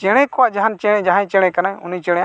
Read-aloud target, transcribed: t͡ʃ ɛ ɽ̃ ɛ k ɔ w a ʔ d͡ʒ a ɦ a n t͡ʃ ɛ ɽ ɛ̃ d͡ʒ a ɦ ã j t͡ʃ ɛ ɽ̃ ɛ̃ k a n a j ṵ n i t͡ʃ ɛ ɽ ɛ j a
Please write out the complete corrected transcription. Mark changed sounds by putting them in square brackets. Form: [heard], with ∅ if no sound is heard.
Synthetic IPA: t͡ʃ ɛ ɽ̃ ɛ k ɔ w a ʔ d͡ʒ a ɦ a n t͡ʃ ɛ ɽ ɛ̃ d͡ʒ a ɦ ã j t͡ʃ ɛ ɽ̃ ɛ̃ k a n a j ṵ n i t͡ʃ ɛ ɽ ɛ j a